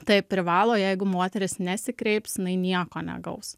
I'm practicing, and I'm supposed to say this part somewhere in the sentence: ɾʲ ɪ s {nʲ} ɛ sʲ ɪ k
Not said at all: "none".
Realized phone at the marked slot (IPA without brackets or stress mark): nʲ